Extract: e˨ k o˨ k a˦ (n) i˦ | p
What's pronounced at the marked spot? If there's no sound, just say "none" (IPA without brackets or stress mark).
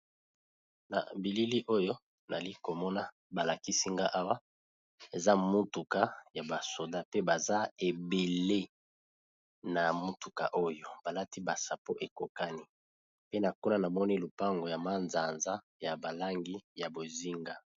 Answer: n